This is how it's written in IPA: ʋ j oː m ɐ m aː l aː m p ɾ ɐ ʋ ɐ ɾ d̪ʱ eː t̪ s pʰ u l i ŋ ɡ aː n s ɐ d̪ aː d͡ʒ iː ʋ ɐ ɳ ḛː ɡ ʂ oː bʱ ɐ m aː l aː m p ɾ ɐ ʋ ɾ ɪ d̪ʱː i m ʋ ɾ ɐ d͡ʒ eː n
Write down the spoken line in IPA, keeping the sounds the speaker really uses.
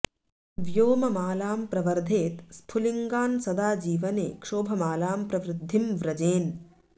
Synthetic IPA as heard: ʋ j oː m ɐ m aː l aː m p ɾ ɐ ʋ ɐ ɾ d̪ʱ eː t̪ s pʰ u l i ŋ ɡ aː n s ɐ d̪ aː d͡ʒ iː ʋ ɐ n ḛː k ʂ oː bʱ ɐ m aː l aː m p ɾ ɐ ʋ ɾ ɪ d̪ʱː i m ʋ ɾ ɐ d͡ʒ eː n